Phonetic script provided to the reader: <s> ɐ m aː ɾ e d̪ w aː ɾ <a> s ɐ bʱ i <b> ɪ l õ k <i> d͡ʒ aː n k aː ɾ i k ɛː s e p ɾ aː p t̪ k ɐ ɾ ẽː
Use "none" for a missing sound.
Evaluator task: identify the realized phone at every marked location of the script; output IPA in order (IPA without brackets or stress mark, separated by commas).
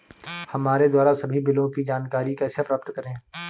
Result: h, a, b, i